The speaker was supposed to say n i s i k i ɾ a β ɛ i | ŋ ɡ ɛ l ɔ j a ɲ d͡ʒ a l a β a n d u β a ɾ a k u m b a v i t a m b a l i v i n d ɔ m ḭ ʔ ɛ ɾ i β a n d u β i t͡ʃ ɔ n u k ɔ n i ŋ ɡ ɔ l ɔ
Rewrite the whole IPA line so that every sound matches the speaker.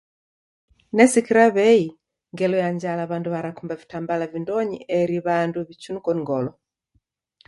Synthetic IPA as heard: n ɛ s i k i ɾ a β ɛ i | ŋ ɡ ɛ l ɔ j a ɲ d͡ʒ a l a β a n d u β a ɾ a k u m b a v i t a m b a l a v i n d ɔ ɲ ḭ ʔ ɛ ɾ i β a n d u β i t͡ʃ u n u k ɔ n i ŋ ɡ ɔ l ɔ